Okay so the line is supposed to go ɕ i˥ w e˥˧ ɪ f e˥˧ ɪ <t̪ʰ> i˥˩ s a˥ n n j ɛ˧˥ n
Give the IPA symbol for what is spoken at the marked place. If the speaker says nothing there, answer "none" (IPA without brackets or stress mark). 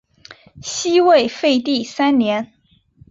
t̪